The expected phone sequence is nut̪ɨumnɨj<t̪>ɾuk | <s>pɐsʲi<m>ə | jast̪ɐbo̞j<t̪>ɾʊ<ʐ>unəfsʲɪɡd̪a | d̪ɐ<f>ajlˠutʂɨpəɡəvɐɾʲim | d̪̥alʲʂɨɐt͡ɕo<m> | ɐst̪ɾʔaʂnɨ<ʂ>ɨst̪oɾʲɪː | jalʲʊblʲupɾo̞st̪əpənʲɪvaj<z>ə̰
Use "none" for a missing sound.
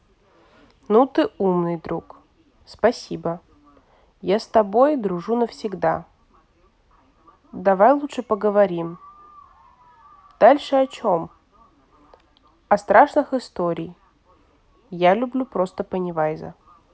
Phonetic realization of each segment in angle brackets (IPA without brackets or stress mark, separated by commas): d̪, s, b, d̪, ʐ, v, m, x, z